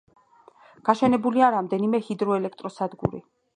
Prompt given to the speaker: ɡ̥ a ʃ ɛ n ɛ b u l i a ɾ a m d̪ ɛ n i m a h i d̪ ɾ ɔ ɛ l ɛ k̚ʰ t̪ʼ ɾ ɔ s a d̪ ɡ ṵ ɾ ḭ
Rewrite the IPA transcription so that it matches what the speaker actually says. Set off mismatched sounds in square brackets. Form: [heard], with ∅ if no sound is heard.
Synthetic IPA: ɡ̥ a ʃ ɛ n ɛ b u l i a ɾ a m d̪ ɛ n i m [ɛ] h i d̪ ɾ ɔ ɛ l ɛ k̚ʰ t̪ʼ ɾ ɔ s a d̪ ɡ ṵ ɾ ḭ